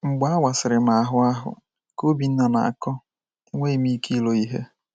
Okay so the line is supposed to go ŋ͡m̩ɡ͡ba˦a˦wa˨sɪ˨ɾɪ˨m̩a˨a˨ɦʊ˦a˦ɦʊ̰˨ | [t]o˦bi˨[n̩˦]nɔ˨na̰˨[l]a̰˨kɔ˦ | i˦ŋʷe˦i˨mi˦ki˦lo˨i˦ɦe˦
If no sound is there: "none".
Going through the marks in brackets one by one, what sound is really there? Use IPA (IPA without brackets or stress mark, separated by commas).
k, n̩˦, none